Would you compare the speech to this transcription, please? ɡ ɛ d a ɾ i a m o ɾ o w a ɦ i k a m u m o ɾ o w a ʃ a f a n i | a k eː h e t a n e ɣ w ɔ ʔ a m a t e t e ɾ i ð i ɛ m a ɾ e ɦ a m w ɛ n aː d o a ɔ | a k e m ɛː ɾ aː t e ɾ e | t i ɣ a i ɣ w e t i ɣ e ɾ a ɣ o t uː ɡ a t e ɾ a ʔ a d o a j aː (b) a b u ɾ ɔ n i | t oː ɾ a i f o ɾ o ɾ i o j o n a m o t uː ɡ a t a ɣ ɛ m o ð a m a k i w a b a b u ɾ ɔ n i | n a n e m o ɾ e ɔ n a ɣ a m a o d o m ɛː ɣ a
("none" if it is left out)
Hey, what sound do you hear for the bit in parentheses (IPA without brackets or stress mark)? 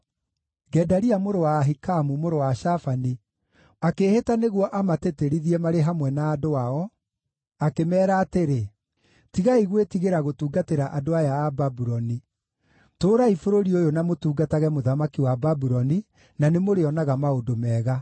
b